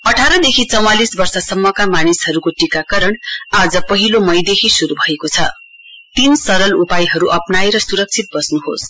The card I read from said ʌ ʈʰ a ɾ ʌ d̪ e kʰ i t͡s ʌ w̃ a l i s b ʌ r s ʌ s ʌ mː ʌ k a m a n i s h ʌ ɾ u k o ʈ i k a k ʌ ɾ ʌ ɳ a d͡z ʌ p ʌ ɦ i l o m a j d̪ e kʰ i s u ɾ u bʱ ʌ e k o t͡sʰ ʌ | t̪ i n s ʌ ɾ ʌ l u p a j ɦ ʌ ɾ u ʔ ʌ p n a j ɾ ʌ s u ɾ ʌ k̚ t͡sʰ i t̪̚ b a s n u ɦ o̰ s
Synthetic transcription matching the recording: ʌ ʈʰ a ɾ ʌ d̪ e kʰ i t͡s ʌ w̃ a l i s b ʌ r s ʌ s ʌ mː ʌ k a m a n i s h ʌ ɾ u k o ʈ i k a k ʌ ɾ ʌ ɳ a d͡z ʌ p ʌ ɦ i l o m ʌ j d̪ e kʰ i s u ɾ u bʱ ʌ e k o t͡sʰ ʌ | t̪ i n s ʌ ɾ ʌ l u p a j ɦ ʌ ɾ u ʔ ʌ p n a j ɾ ʌ s u ɾ ʌ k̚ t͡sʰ i t̪̚ b ʌ s n u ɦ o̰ s